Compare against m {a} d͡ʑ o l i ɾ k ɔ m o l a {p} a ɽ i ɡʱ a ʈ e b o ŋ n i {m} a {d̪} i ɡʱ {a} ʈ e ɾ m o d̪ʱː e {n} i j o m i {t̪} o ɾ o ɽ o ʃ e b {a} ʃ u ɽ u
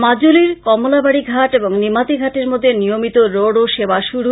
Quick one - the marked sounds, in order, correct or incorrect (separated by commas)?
correct, incorrect, correct, incorrect, correct, correct, correct, correct